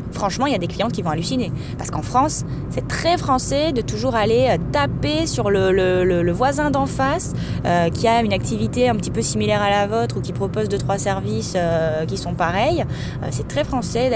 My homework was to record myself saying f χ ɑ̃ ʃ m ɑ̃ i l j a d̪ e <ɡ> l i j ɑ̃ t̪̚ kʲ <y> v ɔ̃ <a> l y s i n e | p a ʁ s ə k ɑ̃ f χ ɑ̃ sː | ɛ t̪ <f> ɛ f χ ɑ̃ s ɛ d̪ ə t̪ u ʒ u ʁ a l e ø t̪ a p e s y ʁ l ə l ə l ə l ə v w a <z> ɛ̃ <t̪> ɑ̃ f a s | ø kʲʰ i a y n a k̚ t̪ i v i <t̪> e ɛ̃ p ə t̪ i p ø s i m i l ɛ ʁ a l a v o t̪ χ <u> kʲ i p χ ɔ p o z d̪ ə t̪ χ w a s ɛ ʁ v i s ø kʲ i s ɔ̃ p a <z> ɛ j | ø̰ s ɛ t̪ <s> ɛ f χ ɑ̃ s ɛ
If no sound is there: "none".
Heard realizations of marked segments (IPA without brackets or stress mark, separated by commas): k, i, a, χ, z, d̪, t̪, u, ʁ, χ